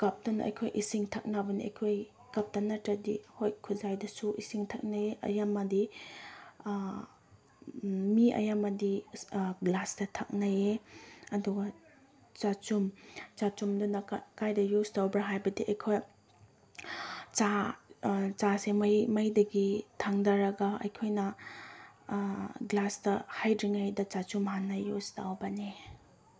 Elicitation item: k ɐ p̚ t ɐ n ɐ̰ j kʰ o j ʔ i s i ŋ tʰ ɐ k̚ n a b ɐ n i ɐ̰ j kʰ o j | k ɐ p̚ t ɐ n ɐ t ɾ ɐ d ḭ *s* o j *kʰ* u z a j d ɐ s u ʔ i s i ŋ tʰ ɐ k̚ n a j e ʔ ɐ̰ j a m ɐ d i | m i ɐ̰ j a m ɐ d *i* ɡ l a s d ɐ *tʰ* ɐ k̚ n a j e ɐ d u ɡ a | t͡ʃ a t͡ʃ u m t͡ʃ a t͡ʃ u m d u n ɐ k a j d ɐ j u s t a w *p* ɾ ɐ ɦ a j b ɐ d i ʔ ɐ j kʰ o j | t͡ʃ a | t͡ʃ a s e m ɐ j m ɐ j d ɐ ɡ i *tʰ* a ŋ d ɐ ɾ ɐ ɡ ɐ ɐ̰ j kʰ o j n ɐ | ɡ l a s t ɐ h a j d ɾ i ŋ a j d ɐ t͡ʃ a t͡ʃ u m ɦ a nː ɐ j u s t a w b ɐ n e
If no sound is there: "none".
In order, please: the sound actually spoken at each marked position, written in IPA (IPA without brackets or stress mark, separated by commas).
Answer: h, kʰ, i, tʰ, b, tʰ